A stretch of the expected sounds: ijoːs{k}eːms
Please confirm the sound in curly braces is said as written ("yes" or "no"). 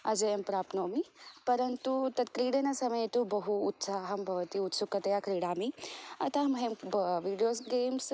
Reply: no